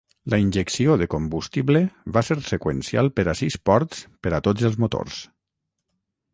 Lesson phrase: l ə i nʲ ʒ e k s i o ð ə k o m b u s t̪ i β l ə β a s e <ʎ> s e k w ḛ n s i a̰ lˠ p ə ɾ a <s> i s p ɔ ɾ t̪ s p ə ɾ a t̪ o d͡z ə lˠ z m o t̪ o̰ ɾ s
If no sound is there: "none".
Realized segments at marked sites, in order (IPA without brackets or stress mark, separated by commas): ɾ, s